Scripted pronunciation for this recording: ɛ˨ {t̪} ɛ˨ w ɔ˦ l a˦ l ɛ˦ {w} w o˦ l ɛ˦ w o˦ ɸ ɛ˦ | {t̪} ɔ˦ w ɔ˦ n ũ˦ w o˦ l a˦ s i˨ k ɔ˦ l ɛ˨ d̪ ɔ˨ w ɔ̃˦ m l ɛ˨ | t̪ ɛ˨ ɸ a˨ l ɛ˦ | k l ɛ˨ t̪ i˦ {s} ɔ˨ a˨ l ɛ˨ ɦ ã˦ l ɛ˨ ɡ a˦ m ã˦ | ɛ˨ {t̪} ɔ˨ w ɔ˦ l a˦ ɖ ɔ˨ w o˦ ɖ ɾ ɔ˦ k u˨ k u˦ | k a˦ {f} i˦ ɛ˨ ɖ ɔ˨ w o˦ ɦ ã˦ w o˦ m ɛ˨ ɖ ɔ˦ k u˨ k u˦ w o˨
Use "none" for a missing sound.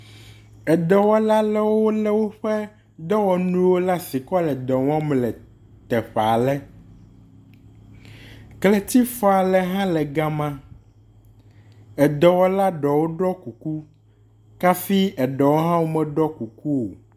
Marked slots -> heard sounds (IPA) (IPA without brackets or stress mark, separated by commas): d̪, w, d̪, f, d̪, f